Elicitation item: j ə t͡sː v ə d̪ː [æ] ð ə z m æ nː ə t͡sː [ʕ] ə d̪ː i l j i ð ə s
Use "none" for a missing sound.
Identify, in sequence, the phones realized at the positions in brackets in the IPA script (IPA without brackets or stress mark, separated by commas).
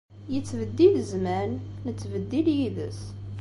i, v